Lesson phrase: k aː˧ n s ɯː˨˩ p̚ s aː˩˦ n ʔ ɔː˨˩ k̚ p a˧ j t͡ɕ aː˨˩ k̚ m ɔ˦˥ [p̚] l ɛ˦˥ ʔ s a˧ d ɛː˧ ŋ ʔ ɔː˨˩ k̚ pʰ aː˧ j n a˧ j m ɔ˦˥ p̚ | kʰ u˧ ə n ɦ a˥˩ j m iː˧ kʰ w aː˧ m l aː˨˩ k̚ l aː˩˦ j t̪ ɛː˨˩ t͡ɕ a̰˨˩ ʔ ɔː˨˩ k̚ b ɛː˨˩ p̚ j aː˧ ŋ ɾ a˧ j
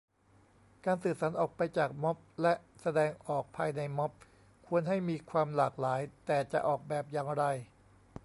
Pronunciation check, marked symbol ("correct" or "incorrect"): correct